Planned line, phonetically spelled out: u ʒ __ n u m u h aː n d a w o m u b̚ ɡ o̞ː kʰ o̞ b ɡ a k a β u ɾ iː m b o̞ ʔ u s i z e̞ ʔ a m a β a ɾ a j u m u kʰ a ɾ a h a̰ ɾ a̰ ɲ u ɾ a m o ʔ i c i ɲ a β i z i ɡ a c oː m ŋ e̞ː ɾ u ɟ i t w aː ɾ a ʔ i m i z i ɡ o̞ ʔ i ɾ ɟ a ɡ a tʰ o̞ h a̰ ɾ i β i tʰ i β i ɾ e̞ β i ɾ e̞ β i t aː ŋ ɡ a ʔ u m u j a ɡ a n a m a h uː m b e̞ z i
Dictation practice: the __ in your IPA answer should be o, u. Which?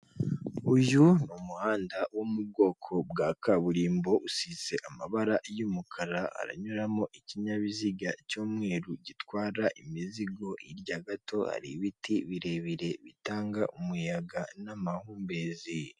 u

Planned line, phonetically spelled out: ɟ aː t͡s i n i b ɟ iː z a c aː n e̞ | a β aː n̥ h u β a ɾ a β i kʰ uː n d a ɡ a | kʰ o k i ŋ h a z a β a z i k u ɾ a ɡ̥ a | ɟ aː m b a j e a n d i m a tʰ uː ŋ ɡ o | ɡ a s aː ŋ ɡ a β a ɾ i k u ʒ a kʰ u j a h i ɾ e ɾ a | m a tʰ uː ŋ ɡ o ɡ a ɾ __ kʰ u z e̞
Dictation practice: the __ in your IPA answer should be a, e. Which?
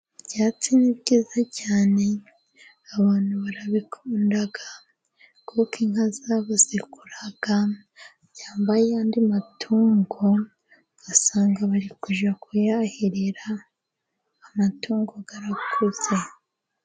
a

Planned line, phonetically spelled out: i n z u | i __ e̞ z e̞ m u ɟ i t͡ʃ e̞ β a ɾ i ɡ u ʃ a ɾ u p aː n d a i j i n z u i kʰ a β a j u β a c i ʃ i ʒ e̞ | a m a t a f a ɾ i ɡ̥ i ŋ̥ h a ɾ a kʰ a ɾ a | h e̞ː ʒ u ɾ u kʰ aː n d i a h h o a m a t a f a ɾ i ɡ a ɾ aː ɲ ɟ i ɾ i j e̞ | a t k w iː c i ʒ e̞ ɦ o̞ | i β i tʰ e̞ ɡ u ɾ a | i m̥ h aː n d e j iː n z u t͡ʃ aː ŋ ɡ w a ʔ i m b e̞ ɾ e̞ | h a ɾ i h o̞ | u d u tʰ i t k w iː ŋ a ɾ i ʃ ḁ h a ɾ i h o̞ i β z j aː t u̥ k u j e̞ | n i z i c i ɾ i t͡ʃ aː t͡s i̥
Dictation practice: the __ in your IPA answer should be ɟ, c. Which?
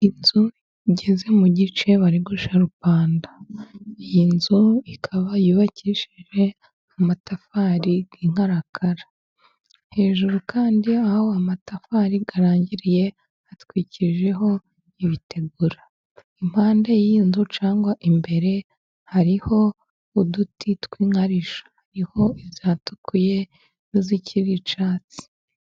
ɟ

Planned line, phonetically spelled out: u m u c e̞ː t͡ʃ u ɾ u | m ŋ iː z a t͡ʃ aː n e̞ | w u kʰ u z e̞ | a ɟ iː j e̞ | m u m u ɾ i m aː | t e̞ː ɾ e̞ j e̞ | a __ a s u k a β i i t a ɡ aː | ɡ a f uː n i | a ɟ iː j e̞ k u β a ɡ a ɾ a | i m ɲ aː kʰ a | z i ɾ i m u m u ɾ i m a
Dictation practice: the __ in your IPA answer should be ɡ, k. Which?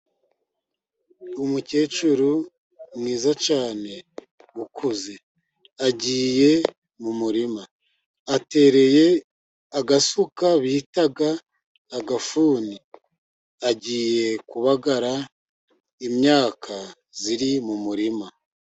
ɡ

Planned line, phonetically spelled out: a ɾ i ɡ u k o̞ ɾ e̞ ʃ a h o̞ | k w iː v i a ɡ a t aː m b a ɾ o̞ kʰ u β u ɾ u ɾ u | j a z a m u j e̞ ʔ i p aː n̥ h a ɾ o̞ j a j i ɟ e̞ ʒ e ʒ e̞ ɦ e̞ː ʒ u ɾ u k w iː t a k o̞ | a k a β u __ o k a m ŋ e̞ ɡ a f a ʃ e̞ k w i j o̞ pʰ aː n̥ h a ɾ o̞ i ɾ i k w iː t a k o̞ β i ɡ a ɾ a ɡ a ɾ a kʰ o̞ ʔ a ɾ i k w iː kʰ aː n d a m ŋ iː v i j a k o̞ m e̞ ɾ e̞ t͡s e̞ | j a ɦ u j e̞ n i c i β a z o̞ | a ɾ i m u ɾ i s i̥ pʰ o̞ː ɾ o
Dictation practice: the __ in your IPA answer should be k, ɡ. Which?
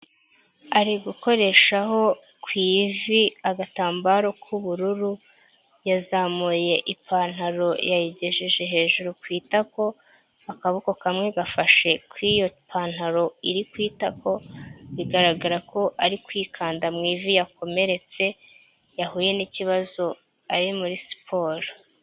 k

